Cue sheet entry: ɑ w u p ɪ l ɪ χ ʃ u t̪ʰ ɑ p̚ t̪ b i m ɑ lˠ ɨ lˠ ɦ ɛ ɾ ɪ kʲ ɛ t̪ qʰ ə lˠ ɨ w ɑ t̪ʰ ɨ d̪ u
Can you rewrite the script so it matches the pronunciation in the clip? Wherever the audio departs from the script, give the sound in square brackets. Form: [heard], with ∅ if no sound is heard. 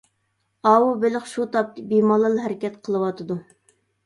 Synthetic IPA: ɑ w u [b] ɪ l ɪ χ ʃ u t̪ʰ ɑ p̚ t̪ b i m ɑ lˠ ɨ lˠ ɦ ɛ ɾ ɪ kʲ ɛ t̪ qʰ ə lˠ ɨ w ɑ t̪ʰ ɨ d̪ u